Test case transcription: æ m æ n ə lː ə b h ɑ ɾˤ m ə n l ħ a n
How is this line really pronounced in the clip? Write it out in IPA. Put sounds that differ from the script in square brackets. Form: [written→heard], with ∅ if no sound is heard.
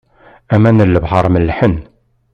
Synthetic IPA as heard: æ m æ n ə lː ə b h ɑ ɾˤ m ə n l ħ [a→ə] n

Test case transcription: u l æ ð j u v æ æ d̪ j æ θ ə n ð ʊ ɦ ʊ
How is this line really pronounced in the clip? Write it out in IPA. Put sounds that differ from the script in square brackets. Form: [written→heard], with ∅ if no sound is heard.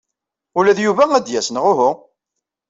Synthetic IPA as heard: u l æ ð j u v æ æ d̪ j æ [θ→s] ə n [ð→ʁ] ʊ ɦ ʊ

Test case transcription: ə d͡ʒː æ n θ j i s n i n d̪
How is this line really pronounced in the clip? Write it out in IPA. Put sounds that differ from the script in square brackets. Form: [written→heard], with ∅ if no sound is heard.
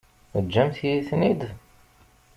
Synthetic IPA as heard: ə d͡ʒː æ [n→m] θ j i [s→θ] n i [n→∅] d̪

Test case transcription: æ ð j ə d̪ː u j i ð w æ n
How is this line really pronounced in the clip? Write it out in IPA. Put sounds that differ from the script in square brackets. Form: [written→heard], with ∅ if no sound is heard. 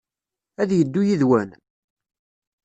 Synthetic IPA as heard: æ ð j ə d̪ː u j i ð w æ n

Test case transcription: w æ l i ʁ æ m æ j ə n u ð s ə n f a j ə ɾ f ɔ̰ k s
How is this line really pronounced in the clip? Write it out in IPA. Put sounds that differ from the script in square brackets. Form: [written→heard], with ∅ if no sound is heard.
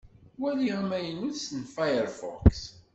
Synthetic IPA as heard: w æ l i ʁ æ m æ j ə n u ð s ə n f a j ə ɾ f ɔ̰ k s

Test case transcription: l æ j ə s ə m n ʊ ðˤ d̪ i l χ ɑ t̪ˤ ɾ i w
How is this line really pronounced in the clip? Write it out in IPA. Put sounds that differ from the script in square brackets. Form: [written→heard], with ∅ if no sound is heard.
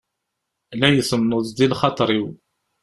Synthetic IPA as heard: l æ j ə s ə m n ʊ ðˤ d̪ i l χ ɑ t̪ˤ ɾ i w

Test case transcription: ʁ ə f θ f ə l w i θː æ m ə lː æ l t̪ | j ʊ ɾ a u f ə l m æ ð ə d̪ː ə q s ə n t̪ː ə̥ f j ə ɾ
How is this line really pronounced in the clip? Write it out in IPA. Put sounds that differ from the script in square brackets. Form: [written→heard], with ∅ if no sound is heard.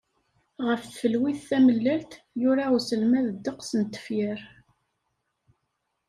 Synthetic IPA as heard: ʁ ə f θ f ə l w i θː æ m ə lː æ l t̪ | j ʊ ɾ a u [f→s] ə l m æ ð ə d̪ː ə q s ə n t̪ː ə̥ f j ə ɾ

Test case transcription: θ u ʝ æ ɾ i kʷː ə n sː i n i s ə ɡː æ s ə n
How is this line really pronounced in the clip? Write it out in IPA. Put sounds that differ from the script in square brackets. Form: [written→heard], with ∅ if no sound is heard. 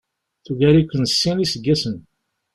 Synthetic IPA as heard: θ u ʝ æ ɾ i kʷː ə n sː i n i s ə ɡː æ s ə n

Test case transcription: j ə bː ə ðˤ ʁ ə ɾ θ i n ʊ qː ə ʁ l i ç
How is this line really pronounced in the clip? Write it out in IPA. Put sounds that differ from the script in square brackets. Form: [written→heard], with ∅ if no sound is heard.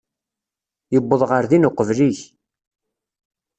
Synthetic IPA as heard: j ə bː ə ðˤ ʁ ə ɾ [θ→ð] i n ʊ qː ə [ʁ→v] l i ç

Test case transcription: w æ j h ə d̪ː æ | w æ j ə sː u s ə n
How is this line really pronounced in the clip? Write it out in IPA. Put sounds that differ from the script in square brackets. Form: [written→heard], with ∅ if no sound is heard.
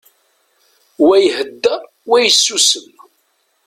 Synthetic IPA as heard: w æ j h ə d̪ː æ | w æ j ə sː u s ə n

